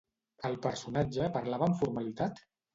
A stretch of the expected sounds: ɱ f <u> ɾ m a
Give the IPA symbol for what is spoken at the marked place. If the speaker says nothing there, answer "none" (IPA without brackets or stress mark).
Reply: u